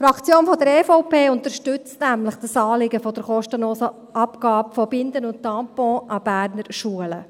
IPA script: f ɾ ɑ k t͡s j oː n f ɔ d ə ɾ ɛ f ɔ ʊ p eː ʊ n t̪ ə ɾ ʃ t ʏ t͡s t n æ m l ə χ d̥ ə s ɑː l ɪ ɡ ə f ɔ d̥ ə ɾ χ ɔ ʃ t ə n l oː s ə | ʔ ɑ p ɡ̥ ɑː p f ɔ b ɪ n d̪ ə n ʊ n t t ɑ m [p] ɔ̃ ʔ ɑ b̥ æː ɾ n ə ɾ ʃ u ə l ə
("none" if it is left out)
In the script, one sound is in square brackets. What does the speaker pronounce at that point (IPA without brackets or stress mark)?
p